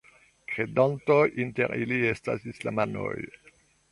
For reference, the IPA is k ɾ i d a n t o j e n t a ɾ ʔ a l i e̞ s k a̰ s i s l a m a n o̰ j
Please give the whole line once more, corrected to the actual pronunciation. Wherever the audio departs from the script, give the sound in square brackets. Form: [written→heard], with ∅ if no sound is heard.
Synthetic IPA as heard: k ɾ [i→e] d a n t o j [e→i] n t [a→e] ɾ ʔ [a→i] l i e̞ s [k→t] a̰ s i s l a m a n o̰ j